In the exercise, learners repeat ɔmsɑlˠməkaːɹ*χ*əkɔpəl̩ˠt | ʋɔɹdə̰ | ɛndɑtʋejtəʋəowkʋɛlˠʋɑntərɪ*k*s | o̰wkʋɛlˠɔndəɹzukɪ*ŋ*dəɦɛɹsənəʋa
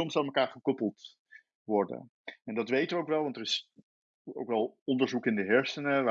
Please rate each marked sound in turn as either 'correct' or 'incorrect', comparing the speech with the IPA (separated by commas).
correct, incorrect, incorrect